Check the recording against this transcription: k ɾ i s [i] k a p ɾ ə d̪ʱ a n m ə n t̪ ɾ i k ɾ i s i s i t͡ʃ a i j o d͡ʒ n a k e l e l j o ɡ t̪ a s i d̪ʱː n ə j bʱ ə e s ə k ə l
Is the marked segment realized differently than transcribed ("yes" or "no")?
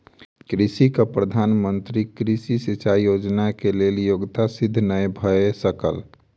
no